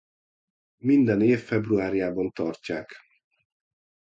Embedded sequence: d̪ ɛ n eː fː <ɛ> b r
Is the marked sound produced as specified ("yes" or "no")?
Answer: yes